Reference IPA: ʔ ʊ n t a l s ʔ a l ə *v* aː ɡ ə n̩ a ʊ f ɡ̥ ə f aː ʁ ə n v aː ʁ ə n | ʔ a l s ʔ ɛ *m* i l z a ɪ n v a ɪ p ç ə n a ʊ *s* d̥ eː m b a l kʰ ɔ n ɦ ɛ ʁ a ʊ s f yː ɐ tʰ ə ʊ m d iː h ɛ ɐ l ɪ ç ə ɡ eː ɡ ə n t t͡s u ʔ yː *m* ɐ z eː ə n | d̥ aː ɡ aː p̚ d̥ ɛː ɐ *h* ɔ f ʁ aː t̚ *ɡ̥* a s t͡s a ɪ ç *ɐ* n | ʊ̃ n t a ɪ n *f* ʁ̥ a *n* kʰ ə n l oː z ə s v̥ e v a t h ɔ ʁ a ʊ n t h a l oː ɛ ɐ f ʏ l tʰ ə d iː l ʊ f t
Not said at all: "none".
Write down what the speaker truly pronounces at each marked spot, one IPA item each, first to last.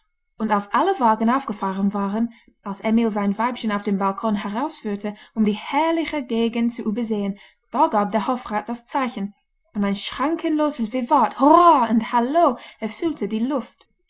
v, m, f, b, h, d̥, ə, ʃ, ŋ

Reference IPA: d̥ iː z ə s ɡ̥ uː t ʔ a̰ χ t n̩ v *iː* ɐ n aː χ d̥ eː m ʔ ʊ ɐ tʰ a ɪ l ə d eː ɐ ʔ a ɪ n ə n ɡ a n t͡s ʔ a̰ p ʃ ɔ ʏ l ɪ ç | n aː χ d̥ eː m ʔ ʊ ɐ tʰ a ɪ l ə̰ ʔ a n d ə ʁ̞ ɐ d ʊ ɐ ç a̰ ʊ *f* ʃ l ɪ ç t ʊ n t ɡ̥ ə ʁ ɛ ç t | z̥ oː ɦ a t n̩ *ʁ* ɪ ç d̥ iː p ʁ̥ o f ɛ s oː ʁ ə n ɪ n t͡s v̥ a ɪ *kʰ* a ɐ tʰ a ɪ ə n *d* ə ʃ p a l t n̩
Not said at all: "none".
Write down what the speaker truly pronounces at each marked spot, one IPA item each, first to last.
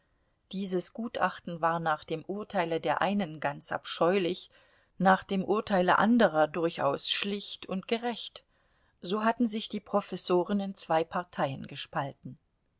aː, s, z, pʰ, ɡ

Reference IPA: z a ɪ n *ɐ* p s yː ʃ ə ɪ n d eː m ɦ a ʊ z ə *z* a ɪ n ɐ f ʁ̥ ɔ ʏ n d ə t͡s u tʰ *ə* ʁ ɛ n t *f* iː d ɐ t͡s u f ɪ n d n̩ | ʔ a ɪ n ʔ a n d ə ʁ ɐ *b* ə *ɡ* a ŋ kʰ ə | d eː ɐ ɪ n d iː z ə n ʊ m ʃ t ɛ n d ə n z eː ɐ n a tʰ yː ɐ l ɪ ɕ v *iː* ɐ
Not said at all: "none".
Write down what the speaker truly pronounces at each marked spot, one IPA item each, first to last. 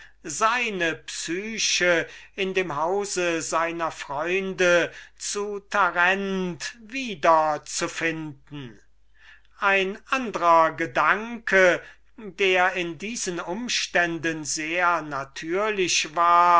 ə, z, a, v, ɡ, d, aː

